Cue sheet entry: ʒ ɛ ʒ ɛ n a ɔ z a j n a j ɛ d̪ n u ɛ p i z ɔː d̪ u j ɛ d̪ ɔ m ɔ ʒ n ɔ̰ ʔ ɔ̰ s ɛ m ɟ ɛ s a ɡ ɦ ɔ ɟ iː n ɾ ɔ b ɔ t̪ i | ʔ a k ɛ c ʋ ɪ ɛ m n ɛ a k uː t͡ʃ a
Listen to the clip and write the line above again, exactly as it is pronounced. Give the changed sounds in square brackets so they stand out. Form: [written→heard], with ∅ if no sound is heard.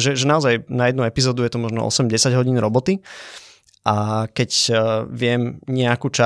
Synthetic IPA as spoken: ʒ ɛ ʒ ɛ n a ɔ z a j n a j ɛ d̪ n u ɛ p i z ɔː d̪ u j ɛ [d̪→t̪] ɔ m ɔ ʒ n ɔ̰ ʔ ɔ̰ s ɛ m ɟ ɛ s a [ɡ→ɟ] ɦ ɔ ɟ iː n ɾ ɔ b ɔ t̪ i | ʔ a k ɛ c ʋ ɪ ɛ m [n→ɲ] ɛ a k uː t͡ʃ a